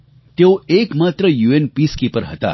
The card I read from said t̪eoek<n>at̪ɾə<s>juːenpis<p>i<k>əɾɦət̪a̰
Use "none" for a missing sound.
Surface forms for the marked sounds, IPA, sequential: m, none, k, p

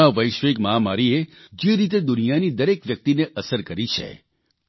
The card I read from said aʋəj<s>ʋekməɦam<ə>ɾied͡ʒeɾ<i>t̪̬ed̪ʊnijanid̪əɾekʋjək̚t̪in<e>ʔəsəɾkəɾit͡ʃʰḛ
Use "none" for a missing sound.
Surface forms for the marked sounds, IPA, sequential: ʃ, a, i, e

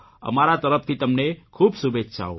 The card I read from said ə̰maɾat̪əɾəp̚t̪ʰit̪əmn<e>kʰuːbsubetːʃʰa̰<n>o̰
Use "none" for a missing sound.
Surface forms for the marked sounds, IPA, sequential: e, none

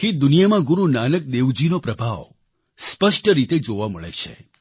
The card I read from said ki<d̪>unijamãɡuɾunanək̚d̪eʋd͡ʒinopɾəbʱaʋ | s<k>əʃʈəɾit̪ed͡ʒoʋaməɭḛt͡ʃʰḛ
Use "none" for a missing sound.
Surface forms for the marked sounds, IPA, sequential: d̪, p

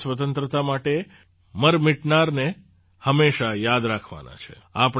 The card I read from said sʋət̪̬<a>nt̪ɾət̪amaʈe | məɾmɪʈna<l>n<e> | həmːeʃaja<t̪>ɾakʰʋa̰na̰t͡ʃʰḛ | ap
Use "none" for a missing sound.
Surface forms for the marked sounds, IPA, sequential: ə, ɾ, e, d̪

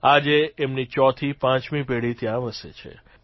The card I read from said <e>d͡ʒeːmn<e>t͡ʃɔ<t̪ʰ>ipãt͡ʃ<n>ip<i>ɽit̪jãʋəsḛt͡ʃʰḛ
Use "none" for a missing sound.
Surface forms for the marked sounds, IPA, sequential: a, i, t̪ʰ, m, e

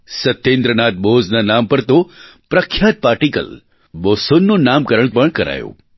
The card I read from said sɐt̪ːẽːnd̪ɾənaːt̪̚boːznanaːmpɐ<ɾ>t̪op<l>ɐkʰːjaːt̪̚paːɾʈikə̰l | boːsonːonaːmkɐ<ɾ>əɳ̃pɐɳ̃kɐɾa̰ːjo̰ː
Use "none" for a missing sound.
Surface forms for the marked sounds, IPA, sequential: ɾ, ɾ, ɾ

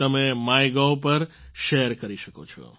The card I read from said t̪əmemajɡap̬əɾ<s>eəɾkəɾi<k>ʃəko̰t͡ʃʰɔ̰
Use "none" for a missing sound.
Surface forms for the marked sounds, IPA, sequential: ʃ, none

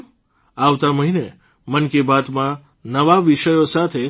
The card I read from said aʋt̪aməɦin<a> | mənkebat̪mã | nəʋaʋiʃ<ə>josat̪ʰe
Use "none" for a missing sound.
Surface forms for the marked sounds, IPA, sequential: e, ə

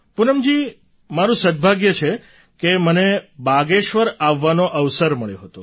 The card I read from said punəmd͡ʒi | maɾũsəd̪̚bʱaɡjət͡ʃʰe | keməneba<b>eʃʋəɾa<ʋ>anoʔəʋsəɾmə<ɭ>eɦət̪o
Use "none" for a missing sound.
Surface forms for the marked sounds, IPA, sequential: ɡ, ʋː, ɭ

